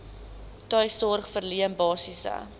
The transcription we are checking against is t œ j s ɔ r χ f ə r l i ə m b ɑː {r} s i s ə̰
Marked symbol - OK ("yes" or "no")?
no